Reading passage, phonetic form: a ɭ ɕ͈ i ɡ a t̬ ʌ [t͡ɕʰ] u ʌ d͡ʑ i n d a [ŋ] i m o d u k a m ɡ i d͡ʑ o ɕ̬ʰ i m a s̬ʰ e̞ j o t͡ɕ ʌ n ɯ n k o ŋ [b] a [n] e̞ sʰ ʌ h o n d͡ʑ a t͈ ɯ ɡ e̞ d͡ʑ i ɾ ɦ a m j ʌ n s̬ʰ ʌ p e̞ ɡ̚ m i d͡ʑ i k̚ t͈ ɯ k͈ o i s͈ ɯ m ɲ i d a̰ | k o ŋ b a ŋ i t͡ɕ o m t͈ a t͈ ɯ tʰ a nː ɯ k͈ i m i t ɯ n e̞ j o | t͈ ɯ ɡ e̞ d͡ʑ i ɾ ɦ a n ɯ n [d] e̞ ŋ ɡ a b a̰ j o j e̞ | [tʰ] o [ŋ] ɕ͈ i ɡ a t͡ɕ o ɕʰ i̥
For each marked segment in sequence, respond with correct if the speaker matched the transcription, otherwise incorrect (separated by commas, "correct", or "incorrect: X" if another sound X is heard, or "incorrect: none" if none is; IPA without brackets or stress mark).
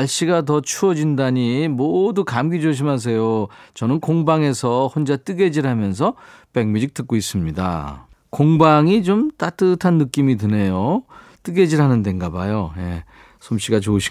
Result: correct, incorrect: ɲ, correct, incorrect: ŋ, correct, incorrect: sʰ, incorrect: m